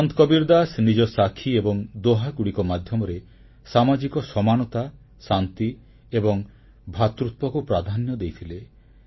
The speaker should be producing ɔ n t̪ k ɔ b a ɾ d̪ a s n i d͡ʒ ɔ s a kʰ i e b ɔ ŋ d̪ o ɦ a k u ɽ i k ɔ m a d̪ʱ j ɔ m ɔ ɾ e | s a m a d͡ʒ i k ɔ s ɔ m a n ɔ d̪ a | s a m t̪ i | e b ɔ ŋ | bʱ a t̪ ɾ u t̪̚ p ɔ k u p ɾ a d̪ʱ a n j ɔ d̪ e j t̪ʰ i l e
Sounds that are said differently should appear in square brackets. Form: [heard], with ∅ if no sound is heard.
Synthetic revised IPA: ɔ n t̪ k ɔ b [i] ɾ d̪ a s n i d͡ʒ ɔ s a kʰ i e b ɔ ŋ d̪ o ɦ a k u ɽ i k ɔ m a d̪ʱ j ɔ m ɔ ɾ e | s a m a d͡ʒ i k ɔ s ɔ m a n ɔ [t̪] a | s a [n] t̪ i | e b ɔ ŋ | bʱ a t̪ ɾ u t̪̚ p ɔ k u p ɾ a d̪ʱ a n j ɔ d̪ e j t̪ʰ i l e